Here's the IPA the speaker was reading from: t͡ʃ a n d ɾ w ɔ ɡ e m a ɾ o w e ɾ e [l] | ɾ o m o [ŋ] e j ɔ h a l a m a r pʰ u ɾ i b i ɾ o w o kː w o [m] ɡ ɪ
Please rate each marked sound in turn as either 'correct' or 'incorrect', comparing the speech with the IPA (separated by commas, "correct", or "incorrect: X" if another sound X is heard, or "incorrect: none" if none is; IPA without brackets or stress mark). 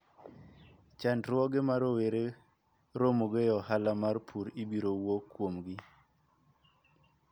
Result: incorrect: none, incorrect: ɡ, correct